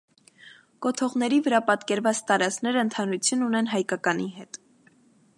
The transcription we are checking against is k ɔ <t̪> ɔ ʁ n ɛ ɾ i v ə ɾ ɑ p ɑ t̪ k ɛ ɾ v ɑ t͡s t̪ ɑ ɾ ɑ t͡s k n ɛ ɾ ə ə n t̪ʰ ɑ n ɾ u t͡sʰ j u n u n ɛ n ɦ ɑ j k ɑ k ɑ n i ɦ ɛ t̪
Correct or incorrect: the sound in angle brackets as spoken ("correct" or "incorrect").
incorrect